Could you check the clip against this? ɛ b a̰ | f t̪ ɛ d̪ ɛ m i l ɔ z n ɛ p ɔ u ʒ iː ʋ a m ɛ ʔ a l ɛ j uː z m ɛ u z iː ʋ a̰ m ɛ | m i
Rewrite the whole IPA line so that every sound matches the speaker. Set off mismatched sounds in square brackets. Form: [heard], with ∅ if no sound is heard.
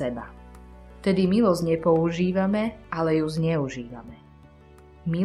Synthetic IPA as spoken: ɛ b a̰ | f t̪ ɛ d̪ [i] m i l ɔ z [ɲ] ɛ p ɔ u ʒ iː ʋ a m ɛ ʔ a l ɛ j [u] z [ɲ] ɛ u [ʒ] iː ʋ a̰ m ɛ | m i